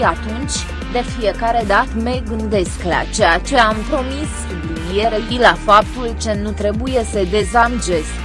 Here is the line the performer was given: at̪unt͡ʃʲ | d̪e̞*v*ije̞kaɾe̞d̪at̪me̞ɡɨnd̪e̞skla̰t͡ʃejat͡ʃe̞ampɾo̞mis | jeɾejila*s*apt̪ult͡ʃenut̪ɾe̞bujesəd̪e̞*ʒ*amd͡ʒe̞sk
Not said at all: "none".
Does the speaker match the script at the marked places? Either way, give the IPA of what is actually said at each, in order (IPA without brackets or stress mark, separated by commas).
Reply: f, f, z